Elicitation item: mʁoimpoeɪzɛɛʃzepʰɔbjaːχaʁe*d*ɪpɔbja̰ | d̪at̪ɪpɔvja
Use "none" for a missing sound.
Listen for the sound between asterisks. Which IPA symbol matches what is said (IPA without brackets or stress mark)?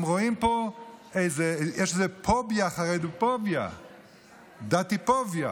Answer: d